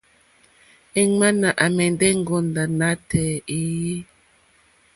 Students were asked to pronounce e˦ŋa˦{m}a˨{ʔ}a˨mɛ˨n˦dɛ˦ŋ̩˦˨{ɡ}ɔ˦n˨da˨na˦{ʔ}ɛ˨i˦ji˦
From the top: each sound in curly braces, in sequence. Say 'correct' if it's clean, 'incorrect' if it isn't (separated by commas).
incorrect, correct, correct, incorrect